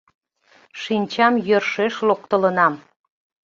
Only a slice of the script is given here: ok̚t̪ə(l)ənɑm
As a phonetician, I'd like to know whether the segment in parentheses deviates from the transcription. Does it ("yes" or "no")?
no